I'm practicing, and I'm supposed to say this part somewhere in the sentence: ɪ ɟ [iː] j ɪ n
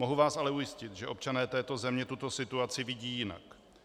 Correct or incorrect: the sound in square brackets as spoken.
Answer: correct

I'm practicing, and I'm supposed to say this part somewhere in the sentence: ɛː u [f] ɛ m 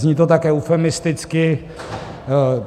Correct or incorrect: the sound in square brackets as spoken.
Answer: correct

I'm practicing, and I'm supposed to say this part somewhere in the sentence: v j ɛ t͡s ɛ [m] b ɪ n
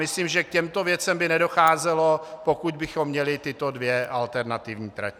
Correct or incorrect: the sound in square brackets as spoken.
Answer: correct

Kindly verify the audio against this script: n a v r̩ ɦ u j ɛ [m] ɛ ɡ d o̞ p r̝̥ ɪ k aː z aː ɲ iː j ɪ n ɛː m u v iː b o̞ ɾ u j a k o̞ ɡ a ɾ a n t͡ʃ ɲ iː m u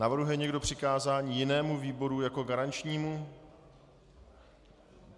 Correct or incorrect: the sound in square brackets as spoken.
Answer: incorrect: ɲ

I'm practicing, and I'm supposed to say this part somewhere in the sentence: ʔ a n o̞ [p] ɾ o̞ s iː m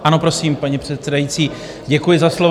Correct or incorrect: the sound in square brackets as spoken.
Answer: correct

